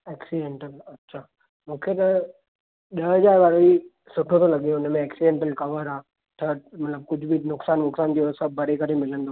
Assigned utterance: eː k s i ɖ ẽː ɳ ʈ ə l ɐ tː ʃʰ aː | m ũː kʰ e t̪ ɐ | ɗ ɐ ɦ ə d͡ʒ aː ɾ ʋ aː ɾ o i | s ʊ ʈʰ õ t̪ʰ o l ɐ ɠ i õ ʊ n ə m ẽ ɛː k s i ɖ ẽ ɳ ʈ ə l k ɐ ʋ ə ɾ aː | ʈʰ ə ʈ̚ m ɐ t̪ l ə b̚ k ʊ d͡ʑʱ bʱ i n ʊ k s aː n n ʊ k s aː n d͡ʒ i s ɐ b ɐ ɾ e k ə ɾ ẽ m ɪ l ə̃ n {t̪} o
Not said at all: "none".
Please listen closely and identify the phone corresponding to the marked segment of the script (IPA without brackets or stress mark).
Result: d̪